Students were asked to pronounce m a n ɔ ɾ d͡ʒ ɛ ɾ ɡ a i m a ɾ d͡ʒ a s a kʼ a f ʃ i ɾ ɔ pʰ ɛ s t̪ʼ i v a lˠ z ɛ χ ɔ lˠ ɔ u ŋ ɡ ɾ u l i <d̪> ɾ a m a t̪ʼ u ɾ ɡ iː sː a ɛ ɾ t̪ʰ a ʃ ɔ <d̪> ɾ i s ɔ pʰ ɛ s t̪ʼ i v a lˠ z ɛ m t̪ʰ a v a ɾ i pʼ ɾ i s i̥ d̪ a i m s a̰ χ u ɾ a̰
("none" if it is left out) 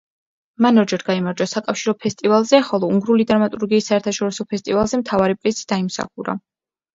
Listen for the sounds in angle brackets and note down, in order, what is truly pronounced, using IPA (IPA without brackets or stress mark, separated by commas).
d̪, none